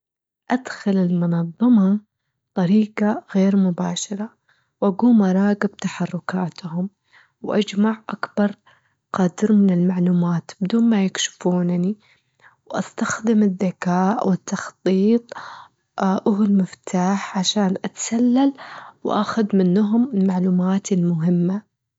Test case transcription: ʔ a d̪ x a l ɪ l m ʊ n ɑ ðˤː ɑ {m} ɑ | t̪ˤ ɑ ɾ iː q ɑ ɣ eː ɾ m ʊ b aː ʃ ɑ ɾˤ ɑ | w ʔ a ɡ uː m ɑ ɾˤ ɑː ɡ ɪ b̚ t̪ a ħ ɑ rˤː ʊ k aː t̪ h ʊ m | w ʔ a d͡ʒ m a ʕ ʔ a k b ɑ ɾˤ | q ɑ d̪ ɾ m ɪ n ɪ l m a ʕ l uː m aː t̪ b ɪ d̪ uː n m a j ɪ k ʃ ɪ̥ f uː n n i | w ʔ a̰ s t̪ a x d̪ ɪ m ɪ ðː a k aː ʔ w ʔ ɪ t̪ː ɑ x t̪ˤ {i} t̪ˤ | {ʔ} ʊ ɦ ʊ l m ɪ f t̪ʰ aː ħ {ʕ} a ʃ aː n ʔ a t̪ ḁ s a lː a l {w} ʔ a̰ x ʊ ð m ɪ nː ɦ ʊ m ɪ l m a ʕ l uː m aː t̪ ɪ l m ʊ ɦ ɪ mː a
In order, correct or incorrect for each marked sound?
correct, incorrect: iː, correct, correct, correct

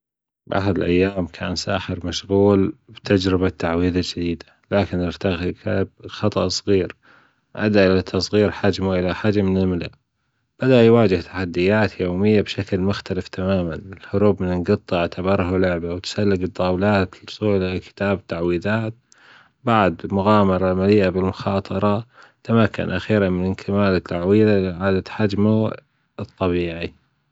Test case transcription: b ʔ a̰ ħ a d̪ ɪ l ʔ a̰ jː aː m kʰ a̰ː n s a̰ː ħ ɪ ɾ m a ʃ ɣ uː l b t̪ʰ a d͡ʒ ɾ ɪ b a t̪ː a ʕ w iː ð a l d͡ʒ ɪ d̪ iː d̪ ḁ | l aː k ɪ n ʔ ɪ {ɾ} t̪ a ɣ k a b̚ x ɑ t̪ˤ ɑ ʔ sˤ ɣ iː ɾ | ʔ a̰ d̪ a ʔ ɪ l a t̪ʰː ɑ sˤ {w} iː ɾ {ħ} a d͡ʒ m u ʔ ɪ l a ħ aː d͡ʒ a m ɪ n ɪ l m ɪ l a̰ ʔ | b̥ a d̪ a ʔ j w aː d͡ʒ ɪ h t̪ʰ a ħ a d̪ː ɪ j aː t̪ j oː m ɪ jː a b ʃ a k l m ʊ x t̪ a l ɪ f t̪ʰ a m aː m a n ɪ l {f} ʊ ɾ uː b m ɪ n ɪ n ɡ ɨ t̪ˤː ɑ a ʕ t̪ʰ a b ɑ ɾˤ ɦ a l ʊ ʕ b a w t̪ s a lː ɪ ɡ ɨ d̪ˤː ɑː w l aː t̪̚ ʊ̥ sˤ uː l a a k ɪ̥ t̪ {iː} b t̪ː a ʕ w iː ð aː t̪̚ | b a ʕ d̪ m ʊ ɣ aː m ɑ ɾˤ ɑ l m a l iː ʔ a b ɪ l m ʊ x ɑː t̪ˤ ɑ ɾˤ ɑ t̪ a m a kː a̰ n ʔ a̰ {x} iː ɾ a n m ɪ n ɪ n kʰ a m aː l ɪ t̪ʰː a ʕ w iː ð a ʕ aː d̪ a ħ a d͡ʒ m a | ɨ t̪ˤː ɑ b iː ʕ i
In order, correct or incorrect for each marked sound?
correct, incorrect: ɣ, correct, incorrect: h, incorrect: aː, correct

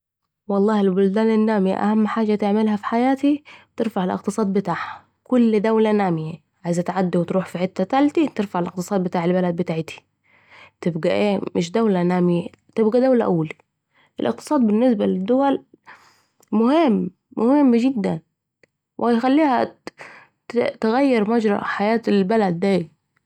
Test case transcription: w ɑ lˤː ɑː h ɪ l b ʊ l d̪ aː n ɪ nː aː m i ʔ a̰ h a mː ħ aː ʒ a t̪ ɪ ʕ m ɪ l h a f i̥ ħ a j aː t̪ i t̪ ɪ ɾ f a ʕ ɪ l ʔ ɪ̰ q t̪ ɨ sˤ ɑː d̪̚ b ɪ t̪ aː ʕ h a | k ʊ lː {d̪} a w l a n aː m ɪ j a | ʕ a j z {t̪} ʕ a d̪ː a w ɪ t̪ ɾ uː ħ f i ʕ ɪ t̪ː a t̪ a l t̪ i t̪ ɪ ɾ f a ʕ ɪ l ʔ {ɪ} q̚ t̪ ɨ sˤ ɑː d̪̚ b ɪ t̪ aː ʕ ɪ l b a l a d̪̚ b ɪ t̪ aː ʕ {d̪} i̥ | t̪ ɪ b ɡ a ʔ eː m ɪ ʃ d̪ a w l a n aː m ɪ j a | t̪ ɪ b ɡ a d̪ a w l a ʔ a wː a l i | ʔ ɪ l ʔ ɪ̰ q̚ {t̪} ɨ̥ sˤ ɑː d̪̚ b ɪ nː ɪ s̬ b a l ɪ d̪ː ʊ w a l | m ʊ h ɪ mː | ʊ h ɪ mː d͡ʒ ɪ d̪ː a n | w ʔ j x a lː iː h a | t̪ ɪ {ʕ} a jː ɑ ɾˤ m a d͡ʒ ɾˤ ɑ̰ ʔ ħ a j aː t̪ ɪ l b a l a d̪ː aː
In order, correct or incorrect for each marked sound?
correct, correct, correct, incorrect: t̪, correct, incorrect: ɣ

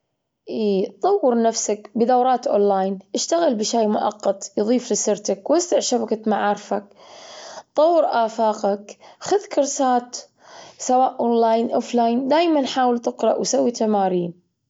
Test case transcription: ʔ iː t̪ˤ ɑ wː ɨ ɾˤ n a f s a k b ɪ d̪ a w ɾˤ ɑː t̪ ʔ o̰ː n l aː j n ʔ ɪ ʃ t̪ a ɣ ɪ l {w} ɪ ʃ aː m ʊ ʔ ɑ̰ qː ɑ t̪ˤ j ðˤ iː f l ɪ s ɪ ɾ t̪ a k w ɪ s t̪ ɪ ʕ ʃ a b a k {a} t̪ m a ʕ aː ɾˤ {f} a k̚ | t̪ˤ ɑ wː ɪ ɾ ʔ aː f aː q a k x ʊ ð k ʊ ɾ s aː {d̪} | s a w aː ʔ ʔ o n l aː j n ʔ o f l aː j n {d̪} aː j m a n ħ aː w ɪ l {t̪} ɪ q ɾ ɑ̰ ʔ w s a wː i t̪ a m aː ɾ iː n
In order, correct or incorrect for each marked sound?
incorrect: b, correct, correct, incorrect: t̪, correct, correct

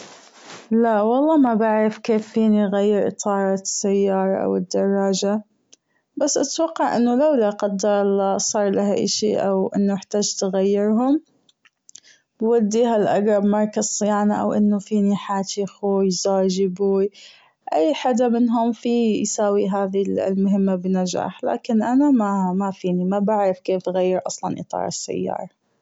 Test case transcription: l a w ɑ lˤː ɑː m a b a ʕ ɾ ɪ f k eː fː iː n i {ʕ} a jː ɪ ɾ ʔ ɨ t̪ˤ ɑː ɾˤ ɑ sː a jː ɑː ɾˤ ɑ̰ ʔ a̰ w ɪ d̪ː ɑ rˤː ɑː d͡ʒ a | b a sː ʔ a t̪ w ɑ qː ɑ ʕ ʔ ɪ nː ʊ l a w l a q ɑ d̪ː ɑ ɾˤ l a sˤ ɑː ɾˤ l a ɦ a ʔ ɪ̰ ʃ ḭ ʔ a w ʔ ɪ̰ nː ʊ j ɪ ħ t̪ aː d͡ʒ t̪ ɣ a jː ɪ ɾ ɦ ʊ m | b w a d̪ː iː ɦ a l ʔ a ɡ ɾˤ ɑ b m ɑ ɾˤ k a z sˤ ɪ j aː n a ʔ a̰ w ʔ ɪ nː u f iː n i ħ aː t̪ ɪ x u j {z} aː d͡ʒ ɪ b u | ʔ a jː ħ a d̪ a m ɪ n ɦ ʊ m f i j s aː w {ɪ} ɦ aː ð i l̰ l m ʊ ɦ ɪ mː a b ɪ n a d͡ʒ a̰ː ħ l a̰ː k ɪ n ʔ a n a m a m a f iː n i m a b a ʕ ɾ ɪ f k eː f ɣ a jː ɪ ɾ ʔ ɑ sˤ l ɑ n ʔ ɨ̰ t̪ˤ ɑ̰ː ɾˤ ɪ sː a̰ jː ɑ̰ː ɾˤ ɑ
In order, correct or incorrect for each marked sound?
incorrect: ɣ, correct, incorrect: i

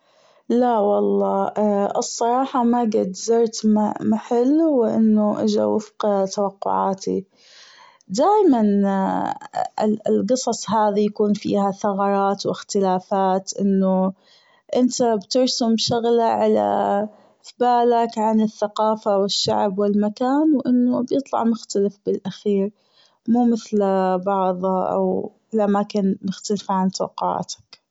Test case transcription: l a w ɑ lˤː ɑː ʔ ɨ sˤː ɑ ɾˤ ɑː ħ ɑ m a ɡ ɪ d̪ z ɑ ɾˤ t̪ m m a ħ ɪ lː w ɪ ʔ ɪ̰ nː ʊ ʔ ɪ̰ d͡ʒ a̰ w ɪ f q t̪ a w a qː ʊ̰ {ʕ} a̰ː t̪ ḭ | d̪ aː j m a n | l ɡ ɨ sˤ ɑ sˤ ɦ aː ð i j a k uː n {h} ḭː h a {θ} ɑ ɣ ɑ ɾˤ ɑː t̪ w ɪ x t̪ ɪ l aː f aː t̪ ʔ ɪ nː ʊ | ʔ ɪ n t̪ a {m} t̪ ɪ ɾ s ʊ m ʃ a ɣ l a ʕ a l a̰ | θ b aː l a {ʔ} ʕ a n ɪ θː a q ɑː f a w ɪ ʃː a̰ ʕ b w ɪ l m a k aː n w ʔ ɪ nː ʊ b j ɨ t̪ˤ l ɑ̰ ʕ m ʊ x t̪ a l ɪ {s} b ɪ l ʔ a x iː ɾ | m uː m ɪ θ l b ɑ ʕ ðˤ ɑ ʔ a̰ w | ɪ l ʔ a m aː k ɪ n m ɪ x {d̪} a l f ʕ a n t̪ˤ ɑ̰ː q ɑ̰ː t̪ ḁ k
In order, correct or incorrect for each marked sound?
correct, incorrect: f, correct, incorrect: b, incorrect: k, incorrect: f, incorrect: t̪

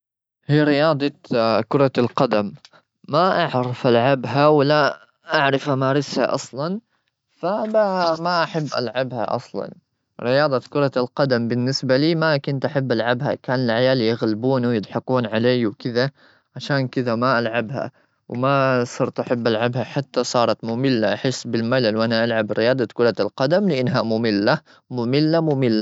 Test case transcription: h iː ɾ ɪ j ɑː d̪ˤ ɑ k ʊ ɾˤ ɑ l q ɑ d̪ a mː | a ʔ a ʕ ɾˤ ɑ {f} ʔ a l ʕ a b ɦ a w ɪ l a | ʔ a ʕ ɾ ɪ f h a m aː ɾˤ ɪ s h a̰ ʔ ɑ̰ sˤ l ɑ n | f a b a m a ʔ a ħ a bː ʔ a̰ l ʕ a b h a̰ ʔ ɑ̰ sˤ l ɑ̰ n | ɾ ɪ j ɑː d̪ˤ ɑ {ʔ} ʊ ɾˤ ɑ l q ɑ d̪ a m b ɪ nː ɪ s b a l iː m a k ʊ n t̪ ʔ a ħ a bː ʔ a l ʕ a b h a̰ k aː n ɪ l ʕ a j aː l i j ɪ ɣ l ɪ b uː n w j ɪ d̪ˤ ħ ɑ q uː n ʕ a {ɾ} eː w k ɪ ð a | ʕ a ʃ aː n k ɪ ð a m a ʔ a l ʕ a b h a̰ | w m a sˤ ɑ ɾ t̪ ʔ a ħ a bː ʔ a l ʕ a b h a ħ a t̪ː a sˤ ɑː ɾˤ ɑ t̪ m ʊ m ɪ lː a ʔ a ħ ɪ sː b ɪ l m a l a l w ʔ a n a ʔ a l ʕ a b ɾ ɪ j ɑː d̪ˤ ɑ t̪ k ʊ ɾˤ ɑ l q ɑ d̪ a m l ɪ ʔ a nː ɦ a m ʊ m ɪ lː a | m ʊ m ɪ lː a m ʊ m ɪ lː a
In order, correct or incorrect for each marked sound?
correct, incorrect: k, incorrect: l

